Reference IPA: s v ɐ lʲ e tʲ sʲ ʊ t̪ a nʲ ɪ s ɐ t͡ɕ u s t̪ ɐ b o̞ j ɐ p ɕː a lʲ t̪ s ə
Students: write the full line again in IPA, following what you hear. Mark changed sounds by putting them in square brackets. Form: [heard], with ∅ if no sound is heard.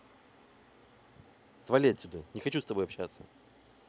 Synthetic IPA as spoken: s v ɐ lʲ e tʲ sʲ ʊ [d̪] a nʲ ɪ [x] ɐ t͡ɕ u s t̪ ɐ b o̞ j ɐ p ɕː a [∅] t̪ s ə